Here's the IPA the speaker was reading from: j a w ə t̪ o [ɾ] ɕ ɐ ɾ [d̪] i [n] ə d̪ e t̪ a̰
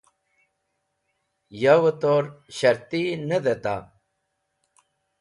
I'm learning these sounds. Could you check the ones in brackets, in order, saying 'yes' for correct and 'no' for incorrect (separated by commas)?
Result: yes, no, yes